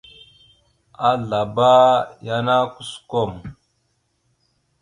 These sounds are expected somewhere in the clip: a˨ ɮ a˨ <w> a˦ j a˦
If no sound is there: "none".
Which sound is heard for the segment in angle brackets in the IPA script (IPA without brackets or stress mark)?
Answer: b